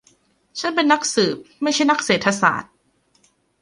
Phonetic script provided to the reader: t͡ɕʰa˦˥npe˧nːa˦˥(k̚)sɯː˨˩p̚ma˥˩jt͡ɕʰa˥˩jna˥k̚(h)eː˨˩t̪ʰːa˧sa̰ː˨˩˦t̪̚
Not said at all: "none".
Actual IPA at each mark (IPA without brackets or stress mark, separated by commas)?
k̚, s